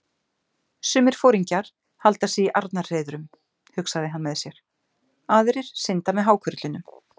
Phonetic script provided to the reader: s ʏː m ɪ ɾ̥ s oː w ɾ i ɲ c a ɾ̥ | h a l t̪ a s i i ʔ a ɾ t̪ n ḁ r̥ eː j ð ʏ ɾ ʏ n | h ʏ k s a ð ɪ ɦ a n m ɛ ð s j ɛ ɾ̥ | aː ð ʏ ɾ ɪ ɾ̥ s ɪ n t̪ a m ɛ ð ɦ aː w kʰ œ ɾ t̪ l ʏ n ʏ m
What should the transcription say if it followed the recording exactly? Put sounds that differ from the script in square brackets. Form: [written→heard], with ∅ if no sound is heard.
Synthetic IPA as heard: s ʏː m ɪ ɾ̥ [s→f] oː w ɾ i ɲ c a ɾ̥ | h a l t̪ a s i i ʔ a ɾ t̪ n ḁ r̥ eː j ð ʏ ɾ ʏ [n→m] | h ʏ k s a ð ɪ ɦ a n m ɛ ð s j ɛ ɾ̥ | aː ð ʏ ɾ ɪ ɾ̥ s ɪ n t̪ a m ɛ ð ɦ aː w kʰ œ ɾ t̪ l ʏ n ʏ m